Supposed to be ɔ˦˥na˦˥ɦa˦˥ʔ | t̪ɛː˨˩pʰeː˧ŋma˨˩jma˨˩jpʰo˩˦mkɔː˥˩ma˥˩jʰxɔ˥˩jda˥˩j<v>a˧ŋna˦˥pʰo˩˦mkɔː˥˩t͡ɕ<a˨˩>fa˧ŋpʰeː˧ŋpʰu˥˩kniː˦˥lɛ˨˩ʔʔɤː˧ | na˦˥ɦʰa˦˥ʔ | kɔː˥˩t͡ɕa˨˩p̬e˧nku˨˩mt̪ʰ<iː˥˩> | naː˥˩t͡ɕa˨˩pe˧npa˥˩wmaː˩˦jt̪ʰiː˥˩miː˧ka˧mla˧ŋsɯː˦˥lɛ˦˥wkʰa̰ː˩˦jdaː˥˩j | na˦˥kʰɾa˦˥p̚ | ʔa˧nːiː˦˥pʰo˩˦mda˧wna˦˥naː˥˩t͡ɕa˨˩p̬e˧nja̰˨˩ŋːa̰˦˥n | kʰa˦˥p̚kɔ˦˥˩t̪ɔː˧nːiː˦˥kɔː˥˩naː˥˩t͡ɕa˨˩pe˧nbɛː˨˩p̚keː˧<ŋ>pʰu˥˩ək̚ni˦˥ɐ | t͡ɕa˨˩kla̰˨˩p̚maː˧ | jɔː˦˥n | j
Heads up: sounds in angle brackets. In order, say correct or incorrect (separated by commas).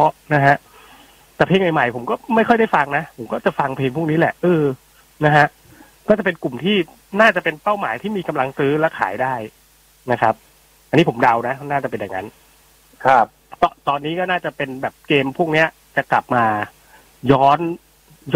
incorrect, correct, correct, incorrect